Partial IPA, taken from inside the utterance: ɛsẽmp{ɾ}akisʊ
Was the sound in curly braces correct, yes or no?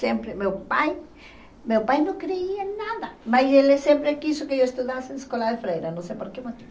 yes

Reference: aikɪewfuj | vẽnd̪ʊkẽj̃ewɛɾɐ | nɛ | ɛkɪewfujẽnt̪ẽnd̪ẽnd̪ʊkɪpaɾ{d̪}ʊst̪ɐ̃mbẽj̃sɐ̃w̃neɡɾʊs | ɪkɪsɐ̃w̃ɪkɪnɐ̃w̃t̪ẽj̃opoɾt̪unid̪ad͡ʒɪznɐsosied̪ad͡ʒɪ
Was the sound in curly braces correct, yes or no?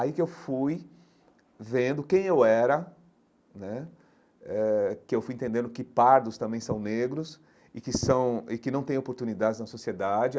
yes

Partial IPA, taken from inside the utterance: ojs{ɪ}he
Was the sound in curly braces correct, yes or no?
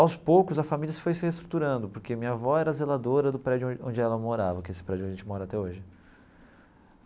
yes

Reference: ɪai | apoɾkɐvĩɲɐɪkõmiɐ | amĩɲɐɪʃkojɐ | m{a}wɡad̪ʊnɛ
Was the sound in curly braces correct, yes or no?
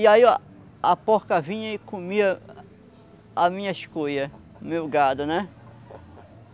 no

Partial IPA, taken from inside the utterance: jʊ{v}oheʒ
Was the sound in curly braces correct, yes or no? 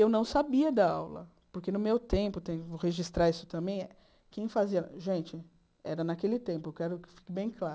yes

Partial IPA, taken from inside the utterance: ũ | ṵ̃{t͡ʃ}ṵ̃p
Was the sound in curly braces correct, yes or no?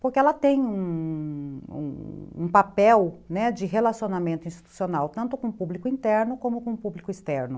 no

